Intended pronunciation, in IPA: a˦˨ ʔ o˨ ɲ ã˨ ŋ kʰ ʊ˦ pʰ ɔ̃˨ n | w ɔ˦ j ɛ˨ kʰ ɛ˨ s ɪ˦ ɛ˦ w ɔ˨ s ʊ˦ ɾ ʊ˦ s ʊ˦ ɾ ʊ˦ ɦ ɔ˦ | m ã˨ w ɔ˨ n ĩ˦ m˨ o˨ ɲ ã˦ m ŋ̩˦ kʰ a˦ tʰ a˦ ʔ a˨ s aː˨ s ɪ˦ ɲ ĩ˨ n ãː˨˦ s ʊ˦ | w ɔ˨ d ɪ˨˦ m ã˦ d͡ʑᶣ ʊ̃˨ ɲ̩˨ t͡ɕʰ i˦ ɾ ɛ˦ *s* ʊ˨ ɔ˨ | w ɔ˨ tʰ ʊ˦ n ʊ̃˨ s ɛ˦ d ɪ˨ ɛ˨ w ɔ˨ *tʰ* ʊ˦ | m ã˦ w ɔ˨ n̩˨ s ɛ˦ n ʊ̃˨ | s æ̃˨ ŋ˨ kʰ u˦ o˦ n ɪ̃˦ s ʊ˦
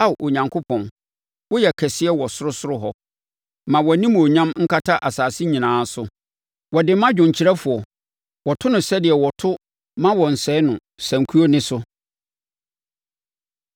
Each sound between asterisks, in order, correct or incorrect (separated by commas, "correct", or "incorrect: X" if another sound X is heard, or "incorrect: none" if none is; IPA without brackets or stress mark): incorrect: f, correct